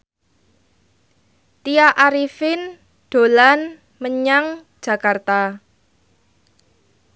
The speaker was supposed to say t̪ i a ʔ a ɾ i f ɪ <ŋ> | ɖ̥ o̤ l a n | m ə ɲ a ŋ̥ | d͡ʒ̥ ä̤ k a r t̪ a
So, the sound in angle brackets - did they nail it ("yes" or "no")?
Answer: no